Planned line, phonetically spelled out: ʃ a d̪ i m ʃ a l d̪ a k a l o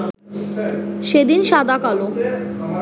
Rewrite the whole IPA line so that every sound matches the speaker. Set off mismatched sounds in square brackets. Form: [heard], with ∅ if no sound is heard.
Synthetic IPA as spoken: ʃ [e] d̪ i [n] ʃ a [∅] d̪ a k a l o